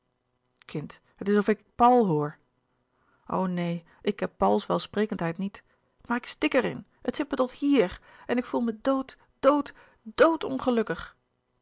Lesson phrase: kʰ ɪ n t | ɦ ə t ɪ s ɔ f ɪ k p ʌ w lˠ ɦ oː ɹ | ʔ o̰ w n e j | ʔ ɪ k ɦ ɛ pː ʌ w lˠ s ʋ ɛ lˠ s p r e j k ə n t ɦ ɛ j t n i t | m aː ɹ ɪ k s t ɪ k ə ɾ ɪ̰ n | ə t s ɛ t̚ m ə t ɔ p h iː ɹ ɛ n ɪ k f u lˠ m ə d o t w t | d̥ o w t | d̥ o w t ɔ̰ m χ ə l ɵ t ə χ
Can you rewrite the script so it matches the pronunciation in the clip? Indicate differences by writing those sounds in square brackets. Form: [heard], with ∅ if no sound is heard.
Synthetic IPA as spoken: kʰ ɪ n t | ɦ ə t ɪ s ɔ f ɪ k p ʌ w lˠ ɦ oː ɹ | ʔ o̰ w n e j | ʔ ɪ k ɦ ɛ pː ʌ w lˠ s ʋ ɛ lˠ s p r e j k ə n t ɦ ɛ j t n i t | m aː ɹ ɪ k s t ɪ k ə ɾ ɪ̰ n | ə t s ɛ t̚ m ə t ɔ [t] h iː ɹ ɛ n ɪ k f u lˠ m ə d o [∅] w t | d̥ o w t | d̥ o w t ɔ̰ [n] χ ə l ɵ [k] ə χ